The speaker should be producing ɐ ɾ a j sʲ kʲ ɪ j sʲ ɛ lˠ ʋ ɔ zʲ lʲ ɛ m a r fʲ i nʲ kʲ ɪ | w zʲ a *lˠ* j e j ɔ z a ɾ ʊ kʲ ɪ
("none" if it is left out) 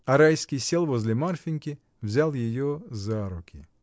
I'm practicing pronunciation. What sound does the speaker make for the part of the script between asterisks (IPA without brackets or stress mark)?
lˠ